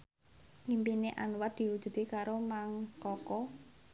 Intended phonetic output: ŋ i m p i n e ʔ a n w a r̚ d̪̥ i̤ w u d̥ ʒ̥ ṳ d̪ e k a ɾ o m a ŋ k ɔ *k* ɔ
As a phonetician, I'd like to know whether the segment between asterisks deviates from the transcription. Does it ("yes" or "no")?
no